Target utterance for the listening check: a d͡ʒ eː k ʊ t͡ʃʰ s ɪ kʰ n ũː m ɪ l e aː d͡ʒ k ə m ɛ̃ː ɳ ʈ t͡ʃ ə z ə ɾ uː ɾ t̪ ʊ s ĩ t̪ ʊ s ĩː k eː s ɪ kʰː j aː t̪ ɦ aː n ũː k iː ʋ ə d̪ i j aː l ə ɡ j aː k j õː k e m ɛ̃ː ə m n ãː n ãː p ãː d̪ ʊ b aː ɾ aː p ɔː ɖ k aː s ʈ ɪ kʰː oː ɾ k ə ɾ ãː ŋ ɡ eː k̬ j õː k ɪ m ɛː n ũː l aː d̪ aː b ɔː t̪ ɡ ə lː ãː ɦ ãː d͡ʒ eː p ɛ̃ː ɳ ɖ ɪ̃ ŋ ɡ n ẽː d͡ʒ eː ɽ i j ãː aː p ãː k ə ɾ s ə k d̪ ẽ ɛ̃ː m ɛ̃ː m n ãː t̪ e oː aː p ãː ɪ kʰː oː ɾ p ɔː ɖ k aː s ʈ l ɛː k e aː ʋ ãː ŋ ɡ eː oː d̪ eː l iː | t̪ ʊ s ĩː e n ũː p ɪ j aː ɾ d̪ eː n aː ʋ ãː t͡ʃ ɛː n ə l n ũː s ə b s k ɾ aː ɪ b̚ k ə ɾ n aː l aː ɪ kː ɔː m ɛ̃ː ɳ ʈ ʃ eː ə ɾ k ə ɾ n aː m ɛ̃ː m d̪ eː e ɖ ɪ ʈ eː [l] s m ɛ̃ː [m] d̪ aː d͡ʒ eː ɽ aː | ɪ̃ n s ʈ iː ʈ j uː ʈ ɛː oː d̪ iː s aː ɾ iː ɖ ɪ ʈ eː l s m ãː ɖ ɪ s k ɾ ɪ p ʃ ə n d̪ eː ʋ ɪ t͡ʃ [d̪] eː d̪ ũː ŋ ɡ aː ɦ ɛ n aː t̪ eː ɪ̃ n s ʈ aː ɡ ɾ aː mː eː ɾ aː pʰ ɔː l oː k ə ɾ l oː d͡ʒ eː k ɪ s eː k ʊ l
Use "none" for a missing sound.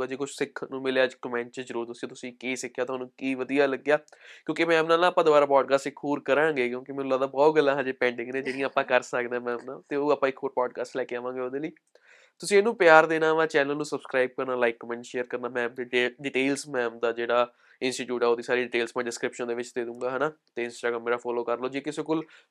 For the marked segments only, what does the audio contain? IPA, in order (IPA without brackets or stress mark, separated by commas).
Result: l, m, d̪